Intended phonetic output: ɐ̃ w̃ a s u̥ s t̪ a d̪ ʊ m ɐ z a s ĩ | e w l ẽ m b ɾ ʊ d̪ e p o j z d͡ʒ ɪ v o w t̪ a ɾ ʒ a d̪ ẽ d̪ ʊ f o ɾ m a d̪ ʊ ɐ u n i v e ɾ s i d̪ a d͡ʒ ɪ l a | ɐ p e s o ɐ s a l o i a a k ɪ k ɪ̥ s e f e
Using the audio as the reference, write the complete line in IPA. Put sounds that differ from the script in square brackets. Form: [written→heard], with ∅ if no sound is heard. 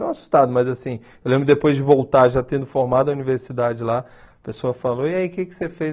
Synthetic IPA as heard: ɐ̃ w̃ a s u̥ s t̪ a d̪ ʊ m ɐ z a s ĩ | e w l ẽ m b ɾ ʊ d̪ e p o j z d͡ʒ ɪ v o w t̪ a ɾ ʒ a [d̪→t̪] ẽ d̪ ʊ f o ɾ m a d̪ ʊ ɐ u n i v e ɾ s i d̪ a d͡ʒ ɪ l a | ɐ p e s o ɐ [s→f] a l o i a [a→i] k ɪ k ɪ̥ s e f e

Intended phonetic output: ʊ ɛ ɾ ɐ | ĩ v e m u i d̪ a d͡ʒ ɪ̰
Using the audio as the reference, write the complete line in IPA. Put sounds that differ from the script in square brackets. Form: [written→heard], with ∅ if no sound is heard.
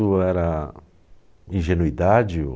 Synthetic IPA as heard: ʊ ɛ ɾ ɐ | ĩ [v→ʒ] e [m→n] u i d̪ a d͡ʒ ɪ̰

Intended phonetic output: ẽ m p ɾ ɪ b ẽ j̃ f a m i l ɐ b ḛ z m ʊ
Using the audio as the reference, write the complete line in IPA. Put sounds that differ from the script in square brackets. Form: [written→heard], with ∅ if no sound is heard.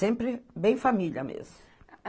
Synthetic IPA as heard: ẽ m p ɾ ɪ b ẽ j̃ f a m i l ɐ [b→m] ḛ z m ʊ

